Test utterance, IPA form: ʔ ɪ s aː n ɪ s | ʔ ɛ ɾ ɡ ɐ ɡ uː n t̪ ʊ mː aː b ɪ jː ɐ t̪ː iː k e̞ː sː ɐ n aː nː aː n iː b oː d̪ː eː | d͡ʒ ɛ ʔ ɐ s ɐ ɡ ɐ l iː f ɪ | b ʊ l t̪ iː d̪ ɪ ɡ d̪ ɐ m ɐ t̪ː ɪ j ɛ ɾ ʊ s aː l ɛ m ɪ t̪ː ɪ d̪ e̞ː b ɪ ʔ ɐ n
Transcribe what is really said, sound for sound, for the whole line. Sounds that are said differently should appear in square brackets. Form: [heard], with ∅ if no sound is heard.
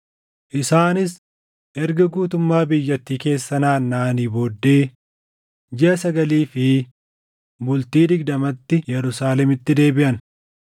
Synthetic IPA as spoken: ʔ ɪ s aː n ɪ s | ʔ ɛ ɾ ɡ ɐ ɡ uː [∅] t̪ ʊ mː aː b ɪ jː ɐ t̪ː iː k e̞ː sː ɐ n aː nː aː n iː b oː d̪ː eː | d͡ʒ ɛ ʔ ɐ s ɐ ɡ ɐ l iː f ɪ | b ʊ l t̪ iː d̪ ɪ ɡ d̪ ɐ m ɐ t̪ː ɪ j ɛ ɾ ʊ s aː l ɛ m ɪ t̪ː ɪ d̪ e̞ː b ɪ ʔ ɐ n